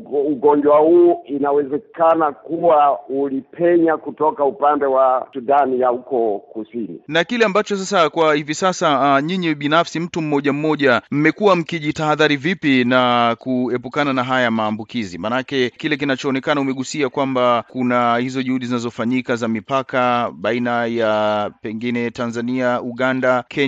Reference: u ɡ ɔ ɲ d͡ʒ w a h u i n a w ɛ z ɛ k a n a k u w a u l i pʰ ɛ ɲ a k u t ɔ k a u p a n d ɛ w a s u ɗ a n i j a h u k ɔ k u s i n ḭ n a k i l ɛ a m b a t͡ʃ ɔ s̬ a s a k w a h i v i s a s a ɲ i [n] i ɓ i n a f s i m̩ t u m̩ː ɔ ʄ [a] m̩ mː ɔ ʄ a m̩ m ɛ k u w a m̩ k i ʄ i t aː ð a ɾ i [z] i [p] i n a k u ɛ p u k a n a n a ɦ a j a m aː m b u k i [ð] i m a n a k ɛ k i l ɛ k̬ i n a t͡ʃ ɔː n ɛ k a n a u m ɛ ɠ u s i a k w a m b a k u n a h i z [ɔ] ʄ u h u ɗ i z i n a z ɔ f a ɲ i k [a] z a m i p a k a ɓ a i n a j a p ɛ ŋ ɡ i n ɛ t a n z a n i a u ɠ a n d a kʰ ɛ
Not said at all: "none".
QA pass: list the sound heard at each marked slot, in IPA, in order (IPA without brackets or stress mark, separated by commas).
ɲ, a, v, p, z, ɔ, a